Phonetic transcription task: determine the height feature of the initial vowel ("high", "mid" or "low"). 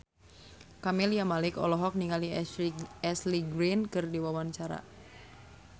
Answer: low